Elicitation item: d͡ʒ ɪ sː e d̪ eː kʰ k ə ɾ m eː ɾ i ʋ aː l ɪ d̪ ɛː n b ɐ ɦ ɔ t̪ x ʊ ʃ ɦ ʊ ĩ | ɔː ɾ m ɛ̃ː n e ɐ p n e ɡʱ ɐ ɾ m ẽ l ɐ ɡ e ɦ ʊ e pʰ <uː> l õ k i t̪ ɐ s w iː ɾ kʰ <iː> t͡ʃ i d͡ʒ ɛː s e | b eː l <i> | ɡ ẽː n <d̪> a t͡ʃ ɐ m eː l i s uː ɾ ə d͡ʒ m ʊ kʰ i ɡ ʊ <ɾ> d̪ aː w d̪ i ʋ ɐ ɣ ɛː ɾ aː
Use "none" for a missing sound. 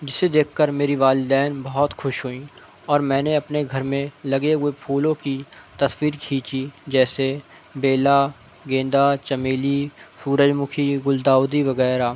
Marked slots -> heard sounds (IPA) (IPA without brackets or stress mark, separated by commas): uː, iː, a, d̪, l